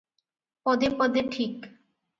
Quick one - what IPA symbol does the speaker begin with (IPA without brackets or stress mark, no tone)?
p